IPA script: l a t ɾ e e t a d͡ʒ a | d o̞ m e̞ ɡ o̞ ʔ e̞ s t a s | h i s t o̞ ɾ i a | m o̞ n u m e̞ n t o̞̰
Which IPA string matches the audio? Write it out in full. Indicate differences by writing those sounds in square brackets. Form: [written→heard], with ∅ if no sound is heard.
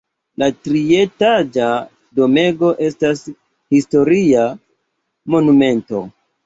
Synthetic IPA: l a t ɾ [e→i] e t a d͡ʒ a | d o̞ m e̞ ɡ o̞ ʔ e̞ s t a s | h i s t o̞ ɾ i a | m o̞ n u m e̞ n t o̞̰